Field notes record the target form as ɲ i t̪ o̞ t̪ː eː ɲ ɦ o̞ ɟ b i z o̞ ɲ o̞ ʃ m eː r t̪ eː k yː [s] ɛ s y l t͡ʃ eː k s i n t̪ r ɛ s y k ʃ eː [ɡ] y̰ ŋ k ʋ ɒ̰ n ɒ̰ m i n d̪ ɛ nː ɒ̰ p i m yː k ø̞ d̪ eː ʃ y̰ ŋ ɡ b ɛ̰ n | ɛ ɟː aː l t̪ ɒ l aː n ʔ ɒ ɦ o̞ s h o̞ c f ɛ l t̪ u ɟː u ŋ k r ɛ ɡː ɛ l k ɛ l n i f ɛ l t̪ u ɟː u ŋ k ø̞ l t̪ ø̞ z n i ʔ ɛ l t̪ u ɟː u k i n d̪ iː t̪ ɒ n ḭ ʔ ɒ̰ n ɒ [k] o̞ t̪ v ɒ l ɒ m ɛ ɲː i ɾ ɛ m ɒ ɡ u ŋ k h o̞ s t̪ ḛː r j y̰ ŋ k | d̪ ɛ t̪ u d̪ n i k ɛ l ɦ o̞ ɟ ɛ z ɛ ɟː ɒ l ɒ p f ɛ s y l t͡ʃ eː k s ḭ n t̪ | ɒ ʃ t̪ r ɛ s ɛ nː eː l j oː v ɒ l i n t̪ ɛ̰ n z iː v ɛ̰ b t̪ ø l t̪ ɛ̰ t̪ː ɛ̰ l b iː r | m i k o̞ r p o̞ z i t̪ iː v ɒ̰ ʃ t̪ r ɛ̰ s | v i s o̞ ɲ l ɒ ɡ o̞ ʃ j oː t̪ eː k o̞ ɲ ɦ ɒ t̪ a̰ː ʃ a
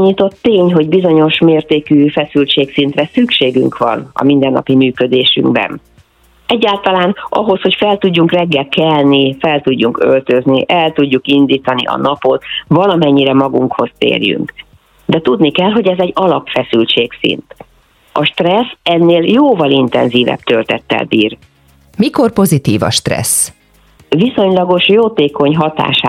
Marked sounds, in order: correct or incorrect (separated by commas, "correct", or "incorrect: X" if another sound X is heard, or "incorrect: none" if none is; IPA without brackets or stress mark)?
incorrect: f, correct, incorrect: p